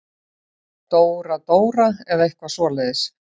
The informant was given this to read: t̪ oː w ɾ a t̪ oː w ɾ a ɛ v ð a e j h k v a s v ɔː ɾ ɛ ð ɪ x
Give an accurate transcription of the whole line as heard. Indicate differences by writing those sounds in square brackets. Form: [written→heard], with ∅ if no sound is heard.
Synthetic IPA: t̪ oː w ɾ a t̪ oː w ɾ a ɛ [v→∅] ð a e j h k v a s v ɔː [ɾ→l] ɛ ð ɪ [x→s]